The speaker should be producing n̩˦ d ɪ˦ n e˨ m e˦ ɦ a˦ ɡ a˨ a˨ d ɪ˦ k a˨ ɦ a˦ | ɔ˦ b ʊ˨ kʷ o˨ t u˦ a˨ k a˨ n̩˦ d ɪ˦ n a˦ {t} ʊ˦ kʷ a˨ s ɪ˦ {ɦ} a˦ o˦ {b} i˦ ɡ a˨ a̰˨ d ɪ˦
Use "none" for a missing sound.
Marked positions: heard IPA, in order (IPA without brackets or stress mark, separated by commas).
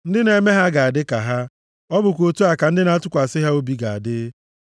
t, ɦ, b